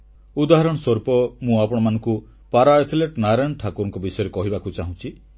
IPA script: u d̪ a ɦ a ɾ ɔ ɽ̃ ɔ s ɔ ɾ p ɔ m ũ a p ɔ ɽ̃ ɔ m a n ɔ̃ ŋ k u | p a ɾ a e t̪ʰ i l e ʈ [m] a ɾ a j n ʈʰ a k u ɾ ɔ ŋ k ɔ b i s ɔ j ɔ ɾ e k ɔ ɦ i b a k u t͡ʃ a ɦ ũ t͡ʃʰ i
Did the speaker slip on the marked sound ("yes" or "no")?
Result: yes